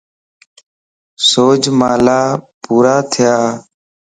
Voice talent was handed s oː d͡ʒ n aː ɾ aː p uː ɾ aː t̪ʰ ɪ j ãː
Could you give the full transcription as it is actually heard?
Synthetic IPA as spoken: s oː d͡ʒ m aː l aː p uː ɾ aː t̪ʰ ɪ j aː